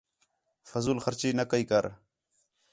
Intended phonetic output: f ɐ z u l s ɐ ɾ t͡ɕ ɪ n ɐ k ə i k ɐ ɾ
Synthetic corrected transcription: f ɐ z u l x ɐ ɾ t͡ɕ i n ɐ k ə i k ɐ ɾ